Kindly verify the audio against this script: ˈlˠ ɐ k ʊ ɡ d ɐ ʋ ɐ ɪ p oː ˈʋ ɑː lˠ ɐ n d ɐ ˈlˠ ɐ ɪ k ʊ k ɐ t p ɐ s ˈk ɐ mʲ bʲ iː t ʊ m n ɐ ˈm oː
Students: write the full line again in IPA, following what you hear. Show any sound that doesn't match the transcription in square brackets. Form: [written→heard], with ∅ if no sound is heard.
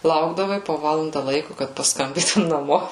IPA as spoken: ˈlˠ ɐ [k→∅] ʊ ɡ d ɐ ʋ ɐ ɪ p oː ˈʋ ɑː lˠ ɐ n d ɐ ˈlˠ ɐ ɪ k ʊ k ɐ t p ɐ s ˈk ɐ mʲ bʲ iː t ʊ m n ɐ ˈm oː